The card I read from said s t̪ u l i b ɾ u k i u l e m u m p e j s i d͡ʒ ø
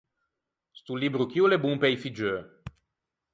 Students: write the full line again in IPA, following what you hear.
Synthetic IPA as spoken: s t̪ u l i b ɾ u k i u l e b u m p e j f i d͡ʒ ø